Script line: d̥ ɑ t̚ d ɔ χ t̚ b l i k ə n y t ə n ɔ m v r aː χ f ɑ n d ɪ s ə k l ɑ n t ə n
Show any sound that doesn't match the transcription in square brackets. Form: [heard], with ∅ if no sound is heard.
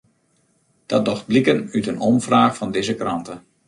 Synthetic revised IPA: d̥ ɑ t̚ d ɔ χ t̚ b l i k ə n y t ə n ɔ m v r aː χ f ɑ n d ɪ [z] ə k [r] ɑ n t ə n